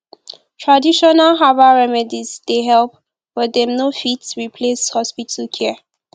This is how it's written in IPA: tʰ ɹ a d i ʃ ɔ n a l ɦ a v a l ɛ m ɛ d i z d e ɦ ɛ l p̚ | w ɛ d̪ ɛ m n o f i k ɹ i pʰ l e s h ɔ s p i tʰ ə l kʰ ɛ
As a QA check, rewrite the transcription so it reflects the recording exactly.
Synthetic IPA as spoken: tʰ ɹ a d i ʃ ɔ n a l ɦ a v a ɹ ɛ m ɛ d i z d e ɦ ɛ l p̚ | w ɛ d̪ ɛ m n o f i t ɹ i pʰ l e s h ɔ s p i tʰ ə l kʰ ɛ

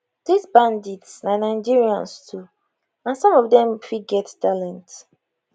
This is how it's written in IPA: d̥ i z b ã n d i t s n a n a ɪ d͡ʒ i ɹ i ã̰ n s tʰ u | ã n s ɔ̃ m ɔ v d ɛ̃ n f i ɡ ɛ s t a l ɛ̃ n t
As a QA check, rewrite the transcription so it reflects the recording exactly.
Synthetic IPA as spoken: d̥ i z b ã n d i t s n a n a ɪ d͡ʒ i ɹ i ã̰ n s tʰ u | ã n s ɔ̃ m ɔ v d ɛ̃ m f i ɡ ɛ t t a l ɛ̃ n t

